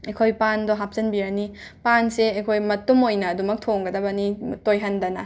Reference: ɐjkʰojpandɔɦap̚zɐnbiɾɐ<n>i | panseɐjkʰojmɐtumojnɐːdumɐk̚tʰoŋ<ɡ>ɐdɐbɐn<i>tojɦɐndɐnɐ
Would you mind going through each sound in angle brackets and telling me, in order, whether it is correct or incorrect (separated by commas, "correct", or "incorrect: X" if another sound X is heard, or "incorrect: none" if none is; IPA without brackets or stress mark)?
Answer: correct, correct, correct